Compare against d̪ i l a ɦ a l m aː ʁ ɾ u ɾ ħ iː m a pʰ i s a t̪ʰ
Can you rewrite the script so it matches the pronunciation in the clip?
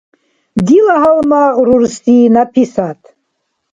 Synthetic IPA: d̪ i l a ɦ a l m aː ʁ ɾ u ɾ s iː n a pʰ i s a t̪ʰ